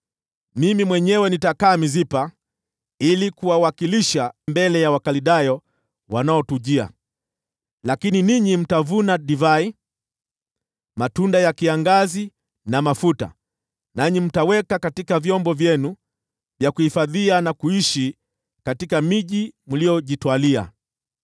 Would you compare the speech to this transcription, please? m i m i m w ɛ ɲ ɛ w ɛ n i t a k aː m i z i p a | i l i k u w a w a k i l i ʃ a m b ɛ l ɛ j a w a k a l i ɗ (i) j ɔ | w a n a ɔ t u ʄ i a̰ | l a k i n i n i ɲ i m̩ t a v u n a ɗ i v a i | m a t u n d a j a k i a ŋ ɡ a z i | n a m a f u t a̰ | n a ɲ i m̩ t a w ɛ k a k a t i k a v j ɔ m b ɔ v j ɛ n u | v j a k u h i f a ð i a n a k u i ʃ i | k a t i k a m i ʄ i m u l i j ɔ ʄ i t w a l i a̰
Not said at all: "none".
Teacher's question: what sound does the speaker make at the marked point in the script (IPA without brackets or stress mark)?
a